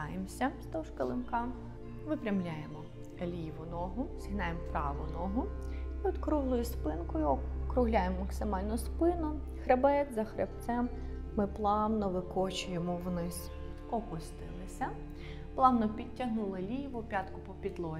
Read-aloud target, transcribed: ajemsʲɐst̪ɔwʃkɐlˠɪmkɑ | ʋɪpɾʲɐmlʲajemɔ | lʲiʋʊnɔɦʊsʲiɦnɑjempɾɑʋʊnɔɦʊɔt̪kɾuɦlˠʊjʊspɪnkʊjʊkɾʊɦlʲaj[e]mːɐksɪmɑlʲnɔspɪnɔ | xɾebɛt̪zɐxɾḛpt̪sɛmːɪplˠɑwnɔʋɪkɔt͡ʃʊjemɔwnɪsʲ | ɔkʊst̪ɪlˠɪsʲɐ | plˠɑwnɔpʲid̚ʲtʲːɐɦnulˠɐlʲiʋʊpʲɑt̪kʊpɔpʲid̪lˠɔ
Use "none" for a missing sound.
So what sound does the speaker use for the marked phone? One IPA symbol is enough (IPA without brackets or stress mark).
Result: e